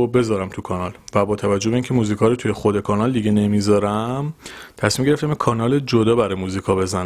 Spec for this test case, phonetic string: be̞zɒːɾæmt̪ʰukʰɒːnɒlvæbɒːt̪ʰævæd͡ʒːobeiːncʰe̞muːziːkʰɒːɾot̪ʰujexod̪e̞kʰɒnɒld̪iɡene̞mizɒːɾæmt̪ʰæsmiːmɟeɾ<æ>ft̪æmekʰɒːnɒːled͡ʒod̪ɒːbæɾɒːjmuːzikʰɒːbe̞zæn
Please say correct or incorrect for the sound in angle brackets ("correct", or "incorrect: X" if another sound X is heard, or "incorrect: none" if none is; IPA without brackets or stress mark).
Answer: incorrect: e